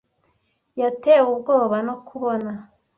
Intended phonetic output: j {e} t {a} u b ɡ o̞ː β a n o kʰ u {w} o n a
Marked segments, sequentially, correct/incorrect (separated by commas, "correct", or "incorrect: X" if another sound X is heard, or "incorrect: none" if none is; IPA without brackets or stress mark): incorrect: a, incorrect: e, incorrect: β